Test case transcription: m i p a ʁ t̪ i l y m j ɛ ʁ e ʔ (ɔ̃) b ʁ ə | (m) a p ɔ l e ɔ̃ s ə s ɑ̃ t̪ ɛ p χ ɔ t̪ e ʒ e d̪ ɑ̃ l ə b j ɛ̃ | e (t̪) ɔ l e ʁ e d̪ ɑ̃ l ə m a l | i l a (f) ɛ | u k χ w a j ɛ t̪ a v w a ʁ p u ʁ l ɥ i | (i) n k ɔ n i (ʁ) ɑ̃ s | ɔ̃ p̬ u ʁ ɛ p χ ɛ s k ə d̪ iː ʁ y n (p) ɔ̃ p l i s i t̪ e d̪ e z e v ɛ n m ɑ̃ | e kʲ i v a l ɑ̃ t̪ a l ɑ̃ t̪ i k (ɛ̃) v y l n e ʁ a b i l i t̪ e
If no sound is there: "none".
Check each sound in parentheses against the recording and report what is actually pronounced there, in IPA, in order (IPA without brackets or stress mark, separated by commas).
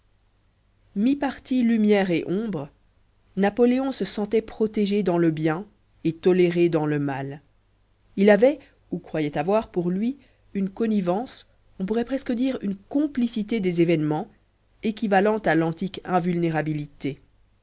ɔ̃, n, t̪, v, y, v, k, ɛ̃